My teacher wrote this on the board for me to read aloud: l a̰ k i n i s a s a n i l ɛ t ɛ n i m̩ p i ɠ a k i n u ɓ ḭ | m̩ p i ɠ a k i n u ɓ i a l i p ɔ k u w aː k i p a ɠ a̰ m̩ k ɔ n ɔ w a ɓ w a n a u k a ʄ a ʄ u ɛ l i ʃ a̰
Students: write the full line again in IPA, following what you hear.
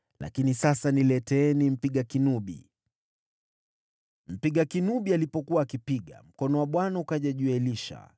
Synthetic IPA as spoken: l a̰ k i n i s a s a n i l ɛ t ɛ n i m̩ p i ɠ a k i n u ɓ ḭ | m̩ p i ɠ a k i n u ɓ i a l i p ɔ k u w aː k i p i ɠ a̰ m̩ k ɔ n ɔ w a ɓ w a n a u k a ʄ a ʄ u ɛ l i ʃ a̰